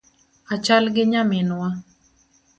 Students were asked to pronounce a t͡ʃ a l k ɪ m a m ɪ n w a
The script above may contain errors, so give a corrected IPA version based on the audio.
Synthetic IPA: a t͡ʃ a l ɡ ɪ ɲ a m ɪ n w a